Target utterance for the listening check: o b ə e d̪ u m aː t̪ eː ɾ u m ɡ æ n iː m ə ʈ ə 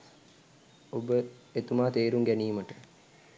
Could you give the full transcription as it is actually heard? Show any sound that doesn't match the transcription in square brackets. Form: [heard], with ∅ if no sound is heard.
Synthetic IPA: o b ə e [t̪] u m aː t̪ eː ɾ u [ŋ] ɡ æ n iː m ə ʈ ə